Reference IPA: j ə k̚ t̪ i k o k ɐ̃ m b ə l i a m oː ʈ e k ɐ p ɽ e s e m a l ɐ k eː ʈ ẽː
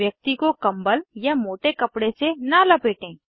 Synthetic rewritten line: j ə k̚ t̪ i k o k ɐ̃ m b ə l j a m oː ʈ e k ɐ p ɽ e s e n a l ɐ p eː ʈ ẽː